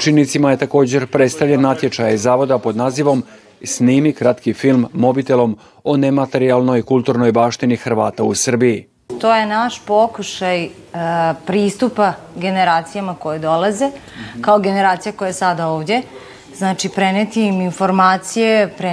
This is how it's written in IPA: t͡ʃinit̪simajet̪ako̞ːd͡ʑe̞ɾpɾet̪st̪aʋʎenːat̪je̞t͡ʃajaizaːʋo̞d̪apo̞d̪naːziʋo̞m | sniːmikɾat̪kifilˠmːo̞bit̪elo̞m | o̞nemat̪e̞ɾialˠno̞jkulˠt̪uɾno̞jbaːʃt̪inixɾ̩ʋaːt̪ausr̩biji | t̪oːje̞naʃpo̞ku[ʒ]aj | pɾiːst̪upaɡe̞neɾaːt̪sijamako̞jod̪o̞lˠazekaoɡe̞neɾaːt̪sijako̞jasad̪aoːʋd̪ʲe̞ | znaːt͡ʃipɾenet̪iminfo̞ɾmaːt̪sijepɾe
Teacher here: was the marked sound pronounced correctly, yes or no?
no